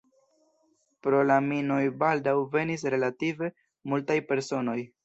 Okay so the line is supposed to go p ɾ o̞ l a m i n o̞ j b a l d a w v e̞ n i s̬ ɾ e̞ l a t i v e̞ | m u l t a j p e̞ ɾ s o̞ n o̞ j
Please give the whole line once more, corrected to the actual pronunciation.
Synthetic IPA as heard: p ɾ o̞ l a m i n o̞ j b a l d a w v e̞ n i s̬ ɾ e̞ l a t i v e̞ | m u l t a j p e̞ ɾ s o̞ n o̞ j